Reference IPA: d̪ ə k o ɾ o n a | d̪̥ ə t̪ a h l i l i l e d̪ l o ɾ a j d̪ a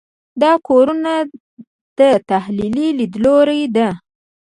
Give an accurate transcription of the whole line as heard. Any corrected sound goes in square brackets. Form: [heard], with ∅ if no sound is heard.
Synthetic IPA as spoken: d̪ [ɑ] k o ɾ [u] n a | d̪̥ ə t̪ a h l i l i l [i] d̪ l o ɾ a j d̪ a